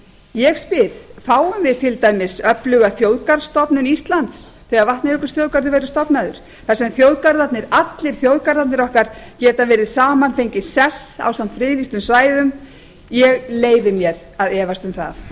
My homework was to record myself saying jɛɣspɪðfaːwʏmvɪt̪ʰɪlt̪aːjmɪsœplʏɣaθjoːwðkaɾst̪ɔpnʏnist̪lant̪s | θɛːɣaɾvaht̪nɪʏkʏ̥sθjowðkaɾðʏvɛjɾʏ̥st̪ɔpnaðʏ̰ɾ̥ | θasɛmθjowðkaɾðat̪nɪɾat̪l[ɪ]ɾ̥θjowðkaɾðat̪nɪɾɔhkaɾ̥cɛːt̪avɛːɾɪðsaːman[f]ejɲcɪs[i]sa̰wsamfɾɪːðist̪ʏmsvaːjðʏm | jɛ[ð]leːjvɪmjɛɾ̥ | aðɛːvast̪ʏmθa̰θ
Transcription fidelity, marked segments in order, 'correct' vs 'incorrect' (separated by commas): correct, correct, incorrect, incorrect